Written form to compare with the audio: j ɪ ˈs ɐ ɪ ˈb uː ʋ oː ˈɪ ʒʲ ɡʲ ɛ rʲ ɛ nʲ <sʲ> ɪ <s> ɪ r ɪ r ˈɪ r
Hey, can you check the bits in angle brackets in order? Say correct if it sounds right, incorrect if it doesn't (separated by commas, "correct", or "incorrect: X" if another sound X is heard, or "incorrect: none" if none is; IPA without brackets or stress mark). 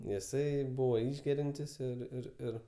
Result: incorrect: tʲ, correct